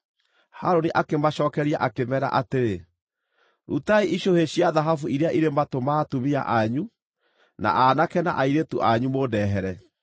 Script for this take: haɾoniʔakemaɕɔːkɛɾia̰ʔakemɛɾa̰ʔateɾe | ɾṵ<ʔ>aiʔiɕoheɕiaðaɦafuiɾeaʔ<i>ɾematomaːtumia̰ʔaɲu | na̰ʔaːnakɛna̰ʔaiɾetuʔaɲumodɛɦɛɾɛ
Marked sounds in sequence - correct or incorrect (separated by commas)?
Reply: incorrect, correct